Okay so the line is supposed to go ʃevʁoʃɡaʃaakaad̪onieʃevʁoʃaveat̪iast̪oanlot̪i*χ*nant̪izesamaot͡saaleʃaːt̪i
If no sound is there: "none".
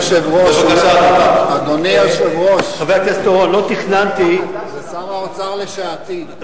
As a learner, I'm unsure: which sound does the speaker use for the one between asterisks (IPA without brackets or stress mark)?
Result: χ